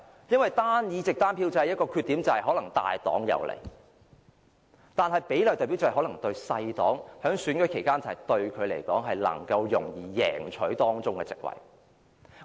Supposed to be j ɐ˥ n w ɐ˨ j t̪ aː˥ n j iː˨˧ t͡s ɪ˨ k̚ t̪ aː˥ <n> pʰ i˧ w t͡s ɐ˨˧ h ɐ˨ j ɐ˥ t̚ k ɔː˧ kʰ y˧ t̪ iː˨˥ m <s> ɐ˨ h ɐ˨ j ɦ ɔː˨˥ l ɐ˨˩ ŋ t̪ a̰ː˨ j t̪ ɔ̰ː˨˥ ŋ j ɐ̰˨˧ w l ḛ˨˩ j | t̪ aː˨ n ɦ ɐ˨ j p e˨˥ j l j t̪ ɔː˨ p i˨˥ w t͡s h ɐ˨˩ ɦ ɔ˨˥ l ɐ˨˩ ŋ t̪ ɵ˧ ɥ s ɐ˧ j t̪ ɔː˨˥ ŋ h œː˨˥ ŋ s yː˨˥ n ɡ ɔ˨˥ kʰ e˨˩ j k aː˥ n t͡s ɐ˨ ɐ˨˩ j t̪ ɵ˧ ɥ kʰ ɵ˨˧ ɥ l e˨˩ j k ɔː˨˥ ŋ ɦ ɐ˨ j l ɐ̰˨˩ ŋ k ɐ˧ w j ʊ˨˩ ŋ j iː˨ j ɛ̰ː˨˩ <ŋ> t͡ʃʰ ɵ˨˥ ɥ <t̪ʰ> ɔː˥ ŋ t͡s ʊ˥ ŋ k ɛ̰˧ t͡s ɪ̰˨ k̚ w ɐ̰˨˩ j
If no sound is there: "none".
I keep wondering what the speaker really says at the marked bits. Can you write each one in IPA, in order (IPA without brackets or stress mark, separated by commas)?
n, t͡s, ŋ, t̪